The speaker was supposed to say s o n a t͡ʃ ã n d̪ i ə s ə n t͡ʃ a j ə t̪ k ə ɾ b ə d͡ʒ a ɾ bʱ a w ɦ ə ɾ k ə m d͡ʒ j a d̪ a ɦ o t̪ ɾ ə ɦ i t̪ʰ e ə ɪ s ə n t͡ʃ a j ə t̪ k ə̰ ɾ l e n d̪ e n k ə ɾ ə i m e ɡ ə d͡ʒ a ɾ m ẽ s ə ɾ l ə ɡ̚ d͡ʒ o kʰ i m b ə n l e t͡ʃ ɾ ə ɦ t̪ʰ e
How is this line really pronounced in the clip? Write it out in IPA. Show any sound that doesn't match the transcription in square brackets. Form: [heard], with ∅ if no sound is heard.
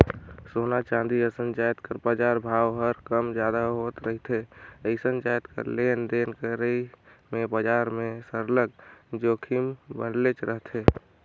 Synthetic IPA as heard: s o n a t͡ʃ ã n d̪ i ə s ə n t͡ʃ a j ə t̪ k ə ɾ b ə d͡ʒ a ɾ bʱ a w ɦ ə ɾ k ə m d͡ʒ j a d̪ a ɦ o t̪ ɾ ə ɦ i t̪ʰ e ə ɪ s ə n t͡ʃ a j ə t̪ k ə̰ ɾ l e n d̪ e n k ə ɾ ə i m e [b] ə d͡ʒ a ɾ m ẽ s ə ɾ l ə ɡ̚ d͡ʒ o kʰ i m b ə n l e t͡ʃ ɾ ə ɦ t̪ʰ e

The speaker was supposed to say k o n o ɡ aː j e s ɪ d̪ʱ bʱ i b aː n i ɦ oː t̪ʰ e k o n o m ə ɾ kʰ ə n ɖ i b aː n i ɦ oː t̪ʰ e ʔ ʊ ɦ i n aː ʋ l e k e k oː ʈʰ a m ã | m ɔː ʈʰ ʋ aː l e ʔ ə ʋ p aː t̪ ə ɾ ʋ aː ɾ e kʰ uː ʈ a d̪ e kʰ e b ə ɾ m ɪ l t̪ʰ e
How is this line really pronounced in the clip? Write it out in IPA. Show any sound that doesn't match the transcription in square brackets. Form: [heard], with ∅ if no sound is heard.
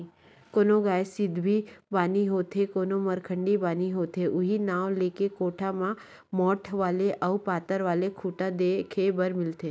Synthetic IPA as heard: k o n o ɡ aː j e s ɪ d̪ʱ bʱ i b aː n i ɦ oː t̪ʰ e k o n o m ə ɾ kʰ ə [ɳ] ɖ i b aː n i ɦ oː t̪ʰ e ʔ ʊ ɦ i n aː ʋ l e k e k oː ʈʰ a m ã | m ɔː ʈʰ ʋ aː l e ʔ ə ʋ p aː t̪ ə ɾ ʋ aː [l] e kʰ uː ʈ a d̪ e kʰ e b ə ɾ m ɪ l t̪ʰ e

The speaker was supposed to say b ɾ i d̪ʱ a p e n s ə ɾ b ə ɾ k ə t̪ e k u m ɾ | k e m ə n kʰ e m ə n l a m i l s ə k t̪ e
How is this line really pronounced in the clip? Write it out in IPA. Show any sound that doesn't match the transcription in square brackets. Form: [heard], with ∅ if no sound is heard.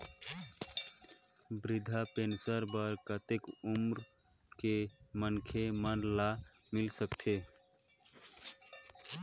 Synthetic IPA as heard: b ɾ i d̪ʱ a p e n s ə ɾ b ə ɾ k ə t̪ e k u m ɾ | k e m ə n kʰ e m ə n l a m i l s ə k [t̪ʰ] e

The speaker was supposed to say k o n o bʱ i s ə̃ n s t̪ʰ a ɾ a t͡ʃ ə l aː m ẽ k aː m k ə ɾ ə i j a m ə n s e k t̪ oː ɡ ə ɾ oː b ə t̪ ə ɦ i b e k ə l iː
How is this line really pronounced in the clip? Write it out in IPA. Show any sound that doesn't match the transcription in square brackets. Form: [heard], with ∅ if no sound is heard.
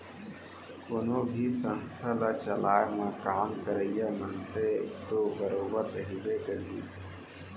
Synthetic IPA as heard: k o n o bʱ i s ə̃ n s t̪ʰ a [l] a t͡ʃ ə l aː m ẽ k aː m k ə ɾ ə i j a m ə n s e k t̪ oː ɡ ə ɾ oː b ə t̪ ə ɦ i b e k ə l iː

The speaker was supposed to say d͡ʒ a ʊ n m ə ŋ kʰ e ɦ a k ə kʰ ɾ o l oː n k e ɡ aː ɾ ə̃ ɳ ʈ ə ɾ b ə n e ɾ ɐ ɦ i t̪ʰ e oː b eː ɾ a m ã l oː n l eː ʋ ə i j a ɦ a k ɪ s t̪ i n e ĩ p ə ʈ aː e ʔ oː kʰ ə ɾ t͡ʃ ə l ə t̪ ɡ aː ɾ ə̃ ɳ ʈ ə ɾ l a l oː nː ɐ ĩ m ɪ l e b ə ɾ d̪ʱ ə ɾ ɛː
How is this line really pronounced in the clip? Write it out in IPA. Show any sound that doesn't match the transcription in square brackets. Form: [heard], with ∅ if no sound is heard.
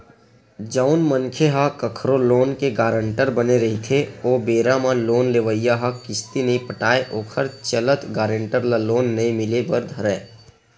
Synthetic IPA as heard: d͡ʒ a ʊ n m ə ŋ kʰ e ɦ a k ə kʰ ɾ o l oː n k e ɡ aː ɾ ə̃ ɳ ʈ ə ɾ b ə n e ɾ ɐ ɦ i t̪ʰ e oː b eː ɾ a m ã l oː n l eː ʋ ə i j a ɦ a k ɪ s t̪ i n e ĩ p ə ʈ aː e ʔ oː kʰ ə ɾ t͡ʃ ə l ə t̪ ɡ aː ɾ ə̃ ɳ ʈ ə ɾ l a l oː nː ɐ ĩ m ɪ l e b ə ɾ d̪ʱ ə ɾ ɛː

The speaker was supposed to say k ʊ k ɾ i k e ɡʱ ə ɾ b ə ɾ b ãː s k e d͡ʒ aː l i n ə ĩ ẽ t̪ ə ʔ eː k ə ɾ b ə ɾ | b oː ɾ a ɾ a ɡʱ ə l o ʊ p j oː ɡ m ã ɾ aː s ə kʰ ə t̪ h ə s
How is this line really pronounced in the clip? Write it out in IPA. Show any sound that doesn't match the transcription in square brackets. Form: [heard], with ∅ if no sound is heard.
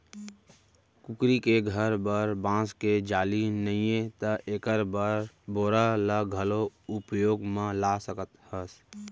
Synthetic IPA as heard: k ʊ k ɾ i k e ɡʱ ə ɾ b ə ɾ b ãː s k e d͡ʒ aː l i n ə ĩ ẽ t̪ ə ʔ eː k ə ɾ b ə ɾ | b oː ɾ a [l] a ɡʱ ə l o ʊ p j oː ɡ m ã [l] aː s ə [k] ə t̪ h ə s

